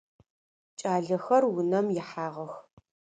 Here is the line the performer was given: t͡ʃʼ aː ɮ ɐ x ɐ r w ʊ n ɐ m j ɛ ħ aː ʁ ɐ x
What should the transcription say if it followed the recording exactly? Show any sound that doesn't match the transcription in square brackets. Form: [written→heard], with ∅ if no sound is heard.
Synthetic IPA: t͡ʃʼ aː ɮ ɐ x ɐ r w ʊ n ɐ m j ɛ ħ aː ʁ ɐ x